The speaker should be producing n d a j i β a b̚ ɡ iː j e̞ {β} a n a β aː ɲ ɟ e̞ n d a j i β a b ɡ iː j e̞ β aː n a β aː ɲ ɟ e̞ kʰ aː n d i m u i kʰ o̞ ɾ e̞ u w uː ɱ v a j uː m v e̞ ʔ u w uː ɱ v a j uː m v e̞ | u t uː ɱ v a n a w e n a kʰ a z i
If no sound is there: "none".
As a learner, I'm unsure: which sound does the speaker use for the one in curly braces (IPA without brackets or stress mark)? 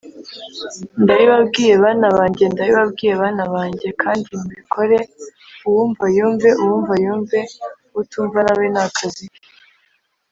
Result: β